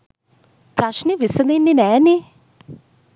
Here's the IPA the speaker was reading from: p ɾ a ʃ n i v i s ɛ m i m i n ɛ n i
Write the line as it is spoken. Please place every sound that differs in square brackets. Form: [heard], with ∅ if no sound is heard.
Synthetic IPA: p ɾ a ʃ n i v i s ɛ [n] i [n] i n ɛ n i